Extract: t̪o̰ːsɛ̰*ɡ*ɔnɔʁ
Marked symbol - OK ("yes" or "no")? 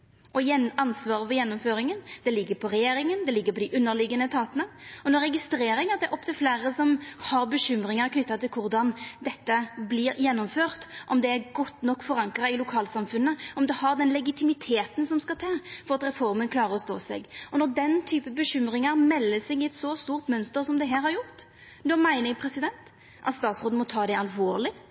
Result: yes